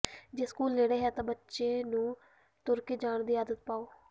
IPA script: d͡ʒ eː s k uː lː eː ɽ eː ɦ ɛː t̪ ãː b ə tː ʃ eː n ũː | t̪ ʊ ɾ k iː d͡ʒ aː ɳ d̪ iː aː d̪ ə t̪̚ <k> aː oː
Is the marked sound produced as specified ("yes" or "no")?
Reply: no